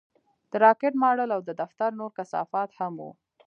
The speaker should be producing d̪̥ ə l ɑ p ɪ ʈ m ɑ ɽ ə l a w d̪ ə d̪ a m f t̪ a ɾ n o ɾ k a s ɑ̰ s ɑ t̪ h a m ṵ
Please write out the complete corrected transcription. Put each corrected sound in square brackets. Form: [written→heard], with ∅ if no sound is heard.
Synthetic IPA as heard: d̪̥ ə [l→ɾ] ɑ [p→k] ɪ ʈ m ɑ ɽ ə l a w d̪ ə d̪ a [m→∅] f t̪ a ɾ n o ɾ k a s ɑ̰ [s→f] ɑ t̪ h a m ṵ